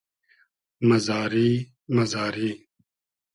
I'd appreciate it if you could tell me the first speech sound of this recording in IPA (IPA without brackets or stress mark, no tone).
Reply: m